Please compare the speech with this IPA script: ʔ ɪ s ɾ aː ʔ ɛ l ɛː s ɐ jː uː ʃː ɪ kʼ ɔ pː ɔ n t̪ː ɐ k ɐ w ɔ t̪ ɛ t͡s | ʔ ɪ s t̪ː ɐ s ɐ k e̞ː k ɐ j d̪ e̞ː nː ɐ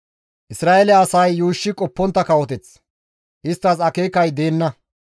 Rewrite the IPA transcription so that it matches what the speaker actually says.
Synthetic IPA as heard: ʔ ɪ s ɾ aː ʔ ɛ l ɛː s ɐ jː uː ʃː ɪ kʼ ɔ pː ɔ n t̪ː ɐ k ɐ w ɔ t̪ ɛ t͡s | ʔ ɪ s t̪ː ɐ s ɐ k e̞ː k ɐ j d̪ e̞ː nː ɐ